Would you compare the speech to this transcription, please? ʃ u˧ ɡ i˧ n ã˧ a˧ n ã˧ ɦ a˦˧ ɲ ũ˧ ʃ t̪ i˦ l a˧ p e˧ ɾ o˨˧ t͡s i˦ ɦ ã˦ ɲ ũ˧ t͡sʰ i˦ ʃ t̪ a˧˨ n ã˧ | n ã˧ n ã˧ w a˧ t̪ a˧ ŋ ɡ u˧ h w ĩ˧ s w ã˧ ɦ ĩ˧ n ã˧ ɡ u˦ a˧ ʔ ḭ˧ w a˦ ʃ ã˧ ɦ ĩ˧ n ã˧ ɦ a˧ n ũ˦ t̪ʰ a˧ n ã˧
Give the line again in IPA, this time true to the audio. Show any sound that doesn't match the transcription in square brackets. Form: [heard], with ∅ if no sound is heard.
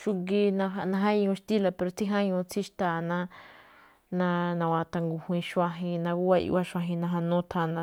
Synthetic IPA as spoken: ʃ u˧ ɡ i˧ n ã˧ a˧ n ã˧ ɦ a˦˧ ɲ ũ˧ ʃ t̪ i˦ l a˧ p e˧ ɾ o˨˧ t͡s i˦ ɦ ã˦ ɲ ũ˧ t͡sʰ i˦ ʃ t̪ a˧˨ n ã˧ | n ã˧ n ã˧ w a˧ t̪ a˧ ŋ ɡ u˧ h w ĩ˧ [ʃ] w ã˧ ɦ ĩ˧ n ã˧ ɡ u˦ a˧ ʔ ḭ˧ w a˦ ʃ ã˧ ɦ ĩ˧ n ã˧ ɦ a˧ n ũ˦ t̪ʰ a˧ n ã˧